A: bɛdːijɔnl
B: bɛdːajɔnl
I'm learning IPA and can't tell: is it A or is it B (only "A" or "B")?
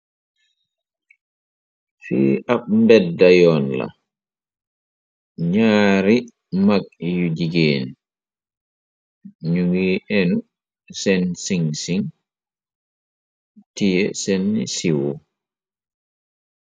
B